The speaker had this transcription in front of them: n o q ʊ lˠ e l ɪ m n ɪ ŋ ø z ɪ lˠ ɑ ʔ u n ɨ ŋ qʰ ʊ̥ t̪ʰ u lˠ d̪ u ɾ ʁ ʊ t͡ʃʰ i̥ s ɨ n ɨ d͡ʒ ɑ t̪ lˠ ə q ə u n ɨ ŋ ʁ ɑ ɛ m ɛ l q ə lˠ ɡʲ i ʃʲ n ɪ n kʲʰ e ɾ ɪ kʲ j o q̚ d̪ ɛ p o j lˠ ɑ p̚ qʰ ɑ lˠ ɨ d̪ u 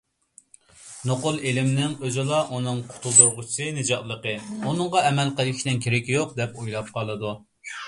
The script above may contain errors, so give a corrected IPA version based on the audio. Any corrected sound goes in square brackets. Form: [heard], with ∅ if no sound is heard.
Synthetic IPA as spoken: n o q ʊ lˠ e l ɪ m n ɪ ŋ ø z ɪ lˠ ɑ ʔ u n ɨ ŋ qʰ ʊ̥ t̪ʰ u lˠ d̪ u ɾ ʁ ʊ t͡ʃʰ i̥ s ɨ n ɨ d͡ʒ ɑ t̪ lˠ ə q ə u n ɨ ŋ ʁ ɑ ɛ m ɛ l q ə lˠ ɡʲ i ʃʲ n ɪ n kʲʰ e ɾ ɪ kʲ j o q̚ d̪ ɛ p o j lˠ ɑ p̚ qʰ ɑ lˠ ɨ d̪ u